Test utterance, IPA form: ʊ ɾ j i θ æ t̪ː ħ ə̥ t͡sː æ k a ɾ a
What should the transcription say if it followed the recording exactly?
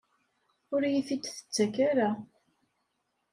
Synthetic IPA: ʊ ɾ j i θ i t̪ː θ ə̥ t͡sː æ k a ɾ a